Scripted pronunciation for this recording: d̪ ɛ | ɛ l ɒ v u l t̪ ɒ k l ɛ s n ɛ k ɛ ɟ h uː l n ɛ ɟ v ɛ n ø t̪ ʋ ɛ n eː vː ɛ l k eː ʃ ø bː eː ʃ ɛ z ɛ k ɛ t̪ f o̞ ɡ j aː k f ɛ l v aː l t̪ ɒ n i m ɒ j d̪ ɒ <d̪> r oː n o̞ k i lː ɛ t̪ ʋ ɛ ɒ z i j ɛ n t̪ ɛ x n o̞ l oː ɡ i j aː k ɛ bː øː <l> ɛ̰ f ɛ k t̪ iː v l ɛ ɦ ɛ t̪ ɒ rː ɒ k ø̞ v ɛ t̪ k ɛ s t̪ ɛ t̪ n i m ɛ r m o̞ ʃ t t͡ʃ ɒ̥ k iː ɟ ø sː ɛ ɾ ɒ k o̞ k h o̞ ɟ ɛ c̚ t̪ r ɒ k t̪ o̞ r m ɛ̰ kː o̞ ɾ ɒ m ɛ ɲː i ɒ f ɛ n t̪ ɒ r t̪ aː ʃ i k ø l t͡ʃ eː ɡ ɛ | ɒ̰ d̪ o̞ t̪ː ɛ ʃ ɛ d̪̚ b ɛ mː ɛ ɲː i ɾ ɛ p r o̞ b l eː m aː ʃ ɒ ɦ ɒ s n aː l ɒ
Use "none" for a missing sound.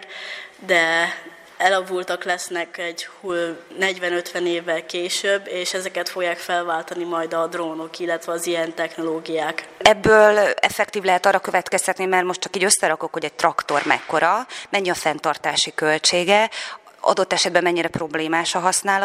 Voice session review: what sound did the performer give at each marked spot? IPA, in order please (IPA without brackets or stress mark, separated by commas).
d̪, l